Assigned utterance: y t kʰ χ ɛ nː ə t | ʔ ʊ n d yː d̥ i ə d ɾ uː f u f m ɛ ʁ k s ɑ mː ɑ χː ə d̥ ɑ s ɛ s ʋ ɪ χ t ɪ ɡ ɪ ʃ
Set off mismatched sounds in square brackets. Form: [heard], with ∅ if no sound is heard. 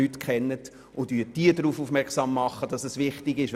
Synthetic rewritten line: y t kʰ χ ɛ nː ə t | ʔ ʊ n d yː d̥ i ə d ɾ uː f u f m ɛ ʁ k s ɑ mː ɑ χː ə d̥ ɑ s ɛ s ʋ ɪ χ t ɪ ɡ ɪ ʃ